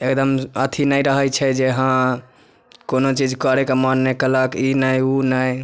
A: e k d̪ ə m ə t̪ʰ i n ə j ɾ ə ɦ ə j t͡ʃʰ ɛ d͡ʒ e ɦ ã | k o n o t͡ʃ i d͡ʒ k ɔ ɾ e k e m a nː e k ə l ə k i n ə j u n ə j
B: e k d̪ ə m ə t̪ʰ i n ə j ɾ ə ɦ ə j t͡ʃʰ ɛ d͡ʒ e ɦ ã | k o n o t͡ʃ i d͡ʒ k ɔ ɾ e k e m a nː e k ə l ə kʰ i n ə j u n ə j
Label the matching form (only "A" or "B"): A